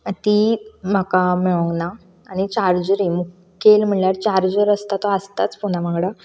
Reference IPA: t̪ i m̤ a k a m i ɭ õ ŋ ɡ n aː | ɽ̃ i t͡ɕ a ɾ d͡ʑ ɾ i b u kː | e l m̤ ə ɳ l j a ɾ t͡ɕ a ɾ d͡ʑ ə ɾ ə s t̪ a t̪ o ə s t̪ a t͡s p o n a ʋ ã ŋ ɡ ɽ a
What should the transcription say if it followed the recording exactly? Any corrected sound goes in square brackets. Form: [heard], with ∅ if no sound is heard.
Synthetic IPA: t̪ i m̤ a k a m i ɭ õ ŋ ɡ n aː | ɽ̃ i t͡ɕ a ɾ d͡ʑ ɾ i [m] u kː | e l m̤ ə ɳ l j a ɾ t͡ɕ a ɾ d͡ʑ ə ɾ ə s t̪ a t̪ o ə s t̪ a t͡s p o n a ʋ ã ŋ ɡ ɽ a